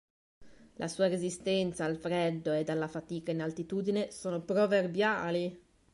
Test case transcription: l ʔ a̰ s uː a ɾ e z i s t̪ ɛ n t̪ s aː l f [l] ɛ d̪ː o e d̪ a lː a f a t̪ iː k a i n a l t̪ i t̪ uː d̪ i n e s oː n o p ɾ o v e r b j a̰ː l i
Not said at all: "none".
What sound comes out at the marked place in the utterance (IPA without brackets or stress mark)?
ɾ